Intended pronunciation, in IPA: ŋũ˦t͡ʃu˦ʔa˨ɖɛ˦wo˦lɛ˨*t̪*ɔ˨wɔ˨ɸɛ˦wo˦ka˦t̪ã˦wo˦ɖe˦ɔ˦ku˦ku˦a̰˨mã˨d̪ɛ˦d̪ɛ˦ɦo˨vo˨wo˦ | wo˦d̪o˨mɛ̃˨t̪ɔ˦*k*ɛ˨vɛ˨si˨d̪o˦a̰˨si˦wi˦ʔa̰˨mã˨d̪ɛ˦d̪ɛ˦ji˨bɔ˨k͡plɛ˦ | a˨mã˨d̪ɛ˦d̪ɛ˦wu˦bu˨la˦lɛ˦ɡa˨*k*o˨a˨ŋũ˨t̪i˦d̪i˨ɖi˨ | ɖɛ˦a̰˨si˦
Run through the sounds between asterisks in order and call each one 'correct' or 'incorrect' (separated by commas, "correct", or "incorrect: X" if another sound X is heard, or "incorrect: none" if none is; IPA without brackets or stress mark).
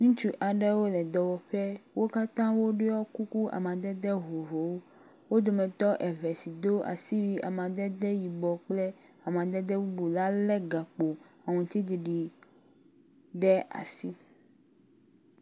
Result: incorrect: d̪, incorrect: ʔ, incorrect: k͡p